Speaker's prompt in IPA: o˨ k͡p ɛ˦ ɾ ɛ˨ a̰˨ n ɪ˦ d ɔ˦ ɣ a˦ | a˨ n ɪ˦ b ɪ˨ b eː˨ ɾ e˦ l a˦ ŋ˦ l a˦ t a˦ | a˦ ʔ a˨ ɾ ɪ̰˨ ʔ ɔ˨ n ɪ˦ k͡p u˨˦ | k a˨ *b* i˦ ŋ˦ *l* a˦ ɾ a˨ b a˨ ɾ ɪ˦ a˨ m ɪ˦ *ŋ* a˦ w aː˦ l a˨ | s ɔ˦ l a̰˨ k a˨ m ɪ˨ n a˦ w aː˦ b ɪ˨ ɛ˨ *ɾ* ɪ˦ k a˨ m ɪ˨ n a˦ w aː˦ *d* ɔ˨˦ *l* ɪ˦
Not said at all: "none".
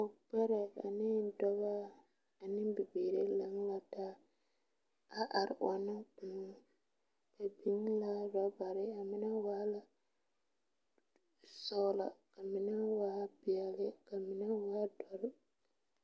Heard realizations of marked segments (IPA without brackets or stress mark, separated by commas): b, l, n, l, d, ɾ